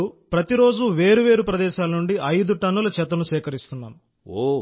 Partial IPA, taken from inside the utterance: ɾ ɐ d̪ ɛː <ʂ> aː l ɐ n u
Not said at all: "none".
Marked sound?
ʃ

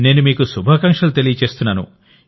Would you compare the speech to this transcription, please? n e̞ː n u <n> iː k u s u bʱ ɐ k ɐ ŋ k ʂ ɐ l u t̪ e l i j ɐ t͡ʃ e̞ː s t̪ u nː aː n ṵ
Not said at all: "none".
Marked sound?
m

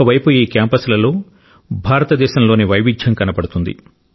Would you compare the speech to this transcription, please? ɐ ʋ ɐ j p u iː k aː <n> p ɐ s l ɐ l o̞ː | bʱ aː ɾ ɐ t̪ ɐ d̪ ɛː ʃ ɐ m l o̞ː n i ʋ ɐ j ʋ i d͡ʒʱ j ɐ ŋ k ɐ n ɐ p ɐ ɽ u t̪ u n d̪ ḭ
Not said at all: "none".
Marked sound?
m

